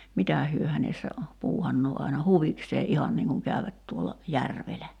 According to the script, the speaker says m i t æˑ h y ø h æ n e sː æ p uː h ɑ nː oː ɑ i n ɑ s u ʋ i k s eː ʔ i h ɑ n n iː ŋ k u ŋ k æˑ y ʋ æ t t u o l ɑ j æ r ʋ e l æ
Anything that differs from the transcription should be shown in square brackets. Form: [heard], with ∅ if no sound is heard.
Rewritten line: m i t æˑ h y ø h æ n e sː æ p uː h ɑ nː oː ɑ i n ɑ [h] u ʋ i k s eː ʔ i h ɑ n n iː ŋ k u ŋ k æˑ y ʋ æ t t u o l ɑ j æ r ʋ e l æ